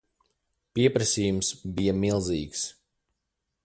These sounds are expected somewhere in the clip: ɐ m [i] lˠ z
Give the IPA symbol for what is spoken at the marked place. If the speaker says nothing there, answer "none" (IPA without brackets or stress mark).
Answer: i